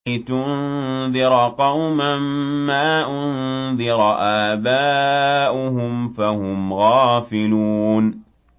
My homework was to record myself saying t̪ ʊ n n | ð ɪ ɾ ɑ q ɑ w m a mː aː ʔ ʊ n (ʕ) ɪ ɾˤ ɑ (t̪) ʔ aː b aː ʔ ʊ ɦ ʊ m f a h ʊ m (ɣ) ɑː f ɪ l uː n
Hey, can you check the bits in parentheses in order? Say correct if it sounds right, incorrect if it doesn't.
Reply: incorrect, incorrect, correct

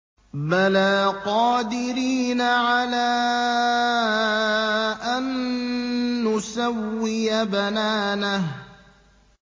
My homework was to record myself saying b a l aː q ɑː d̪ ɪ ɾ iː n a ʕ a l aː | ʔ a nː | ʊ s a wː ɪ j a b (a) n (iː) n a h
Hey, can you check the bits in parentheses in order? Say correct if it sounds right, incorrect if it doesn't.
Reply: correct, incorrect

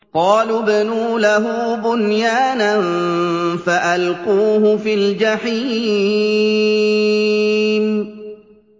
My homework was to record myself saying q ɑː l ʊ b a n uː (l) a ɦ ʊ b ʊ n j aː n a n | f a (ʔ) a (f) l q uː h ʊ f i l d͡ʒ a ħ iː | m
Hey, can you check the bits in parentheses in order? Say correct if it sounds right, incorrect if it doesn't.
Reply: correct, correct, incorrect

